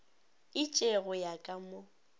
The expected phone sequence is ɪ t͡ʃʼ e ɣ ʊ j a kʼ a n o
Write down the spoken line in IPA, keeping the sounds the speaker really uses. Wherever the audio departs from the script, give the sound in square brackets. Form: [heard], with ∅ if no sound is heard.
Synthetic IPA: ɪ t͡ʃʼ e ɣ ʊ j a kʼ a [m] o